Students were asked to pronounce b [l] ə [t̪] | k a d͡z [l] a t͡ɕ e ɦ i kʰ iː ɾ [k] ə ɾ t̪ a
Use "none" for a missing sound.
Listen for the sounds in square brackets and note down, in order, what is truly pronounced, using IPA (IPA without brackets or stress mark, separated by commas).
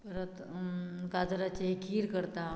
ɾ, t̪, ɾ, k